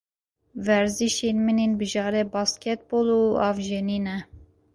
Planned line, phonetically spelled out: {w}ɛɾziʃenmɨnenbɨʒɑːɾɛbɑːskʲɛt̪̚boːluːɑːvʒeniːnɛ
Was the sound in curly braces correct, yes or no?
no